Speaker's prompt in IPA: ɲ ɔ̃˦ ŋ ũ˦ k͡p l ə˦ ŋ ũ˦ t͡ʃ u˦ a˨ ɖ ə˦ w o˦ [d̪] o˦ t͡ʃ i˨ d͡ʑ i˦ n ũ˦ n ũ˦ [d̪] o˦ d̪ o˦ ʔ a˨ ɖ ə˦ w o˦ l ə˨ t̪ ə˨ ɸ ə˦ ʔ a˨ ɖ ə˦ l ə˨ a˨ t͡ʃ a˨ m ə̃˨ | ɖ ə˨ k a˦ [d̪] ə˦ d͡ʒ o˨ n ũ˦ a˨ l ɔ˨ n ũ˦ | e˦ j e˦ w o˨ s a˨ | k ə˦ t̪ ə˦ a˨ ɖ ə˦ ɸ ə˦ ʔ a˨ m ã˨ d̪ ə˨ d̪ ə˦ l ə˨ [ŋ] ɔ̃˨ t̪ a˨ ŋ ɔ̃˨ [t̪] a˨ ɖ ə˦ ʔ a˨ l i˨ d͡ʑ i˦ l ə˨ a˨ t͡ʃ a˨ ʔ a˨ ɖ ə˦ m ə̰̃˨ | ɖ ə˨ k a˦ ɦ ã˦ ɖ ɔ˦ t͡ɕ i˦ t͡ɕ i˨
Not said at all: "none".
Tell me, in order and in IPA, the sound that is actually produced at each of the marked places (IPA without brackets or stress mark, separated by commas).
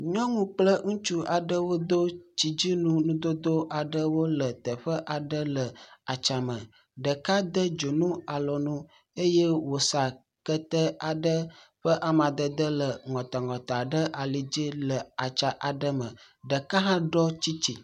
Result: d̪, d̪, d̪, ŋ, t̪